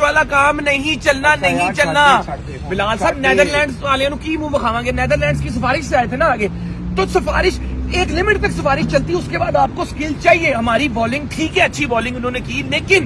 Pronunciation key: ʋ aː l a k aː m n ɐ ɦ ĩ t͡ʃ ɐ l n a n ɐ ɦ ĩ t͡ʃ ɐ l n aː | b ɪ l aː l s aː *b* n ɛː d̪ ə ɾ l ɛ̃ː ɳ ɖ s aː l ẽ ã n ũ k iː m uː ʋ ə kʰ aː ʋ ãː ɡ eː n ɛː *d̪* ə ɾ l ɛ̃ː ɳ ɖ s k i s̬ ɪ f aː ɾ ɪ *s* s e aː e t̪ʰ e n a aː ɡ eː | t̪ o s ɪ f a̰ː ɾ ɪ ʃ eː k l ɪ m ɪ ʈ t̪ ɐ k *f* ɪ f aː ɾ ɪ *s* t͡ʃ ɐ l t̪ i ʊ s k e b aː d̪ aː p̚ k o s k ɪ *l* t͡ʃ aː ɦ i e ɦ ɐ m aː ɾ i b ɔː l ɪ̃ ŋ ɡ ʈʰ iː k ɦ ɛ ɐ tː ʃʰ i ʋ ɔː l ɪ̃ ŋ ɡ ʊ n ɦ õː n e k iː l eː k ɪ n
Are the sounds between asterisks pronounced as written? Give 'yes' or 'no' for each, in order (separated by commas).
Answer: yes, yes, no, no, no, yes